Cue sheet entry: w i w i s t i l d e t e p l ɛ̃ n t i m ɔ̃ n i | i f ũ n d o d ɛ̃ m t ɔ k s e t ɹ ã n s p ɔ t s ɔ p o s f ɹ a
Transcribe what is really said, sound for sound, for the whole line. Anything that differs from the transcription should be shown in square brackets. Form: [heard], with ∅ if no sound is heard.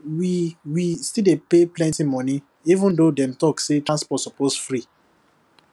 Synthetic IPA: w i w i s t i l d e [p] e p l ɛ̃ n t i m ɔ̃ n i | i [v] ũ n d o d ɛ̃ m t ɔ k s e t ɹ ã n s p ɔ t s ɔ p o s f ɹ [i]